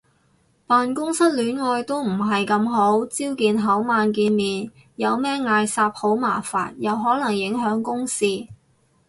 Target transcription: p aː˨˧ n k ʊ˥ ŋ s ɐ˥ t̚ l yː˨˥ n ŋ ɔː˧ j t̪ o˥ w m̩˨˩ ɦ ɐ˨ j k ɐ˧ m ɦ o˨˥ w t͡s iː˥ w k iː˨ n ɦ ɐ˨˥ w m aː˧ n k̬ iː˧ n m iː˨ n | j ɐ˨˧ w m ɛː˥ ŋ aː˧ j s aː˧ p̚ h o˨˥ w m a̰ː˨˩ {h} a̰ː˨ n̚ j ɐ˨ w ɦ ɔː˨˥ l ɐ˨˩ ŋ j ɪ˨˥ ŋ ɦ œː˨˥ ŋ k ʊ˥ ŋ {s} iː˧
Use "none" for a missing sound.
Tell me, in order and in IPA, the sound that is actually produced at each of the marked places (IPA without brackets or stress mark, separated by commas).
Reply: f, s